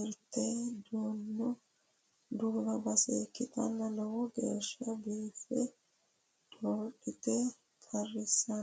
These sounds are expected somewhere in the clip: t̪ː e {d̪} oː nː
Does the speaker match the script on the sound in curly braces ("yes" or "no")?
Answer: yes